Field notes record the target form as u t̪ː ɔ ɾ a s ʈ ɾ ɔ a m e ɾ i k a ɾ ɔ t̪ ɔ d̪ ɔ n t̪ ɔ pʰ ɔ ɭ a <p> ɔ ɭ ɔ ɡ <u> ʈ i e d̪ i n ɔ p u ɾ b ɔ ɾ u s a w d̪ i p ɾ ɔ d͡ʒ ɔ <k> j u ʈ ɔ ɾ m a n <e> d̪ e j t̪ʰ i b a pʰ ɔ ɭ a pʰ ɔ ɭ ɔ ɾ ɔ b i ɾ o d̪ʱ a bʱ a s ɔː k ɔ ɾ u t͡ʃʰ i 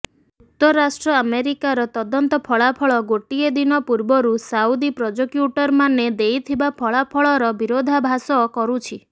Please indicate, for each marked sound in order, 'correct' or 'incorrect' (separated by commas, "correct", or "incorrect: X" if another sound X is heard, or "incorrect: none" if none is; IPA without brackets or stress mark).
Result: incorrect: pʰ, incorrect: o, correct, correct